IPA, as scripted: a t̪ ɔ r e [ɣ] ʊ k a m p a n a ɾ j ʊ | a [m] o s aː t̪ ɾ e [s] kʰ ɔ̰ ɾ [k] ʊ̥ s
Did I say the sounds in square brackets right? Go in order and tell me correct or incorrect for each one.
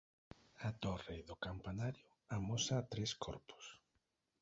incorrect: ð, correct, correct, incorrect: p

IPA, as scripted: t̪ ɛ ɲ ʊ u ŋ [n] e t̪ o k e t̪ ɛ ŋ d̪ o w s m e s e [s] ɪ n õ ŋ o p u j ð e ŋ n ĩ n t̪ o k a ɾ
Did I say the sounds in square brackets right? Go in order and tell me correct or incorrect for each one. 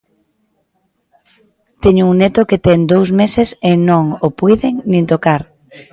correct, correct

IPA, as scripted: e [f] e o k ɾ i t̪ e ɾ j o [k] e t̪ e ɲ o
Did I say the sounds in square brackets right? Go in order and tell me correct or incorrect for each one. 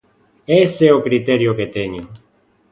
incorrect: s, correct

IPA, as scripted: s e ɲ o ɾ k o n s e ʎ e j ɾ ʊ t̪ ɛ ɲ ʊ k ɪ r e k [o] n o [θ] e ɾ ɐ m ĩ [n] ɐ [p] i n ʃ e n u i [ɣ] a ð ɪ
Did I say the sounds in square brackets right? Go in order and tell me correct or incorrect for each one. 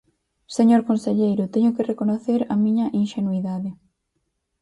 correct, correct, incorrect: ɲ, incorrect: ʔ, incorrect: ð

